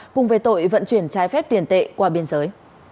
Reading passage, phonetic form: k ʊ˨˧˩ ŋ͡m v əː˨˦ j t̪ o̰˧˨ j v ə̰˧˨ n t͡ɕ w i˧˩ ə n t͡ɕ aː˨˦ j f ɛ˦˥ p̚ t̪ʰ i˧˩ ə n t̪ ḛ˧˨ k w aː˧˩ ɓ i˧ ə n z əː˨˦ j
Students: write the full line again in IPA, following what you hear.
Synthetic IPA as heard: k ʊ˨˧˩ ŋ͡m v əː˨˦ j t̪ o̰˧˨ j v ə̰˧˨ n t͡ɕ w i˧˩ ə n t͡ɕ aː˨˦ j f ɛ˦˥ p̚ t̪ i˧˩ ə n t̪ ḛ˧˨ k w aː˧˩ ɓ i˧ ə n z əː˨˦ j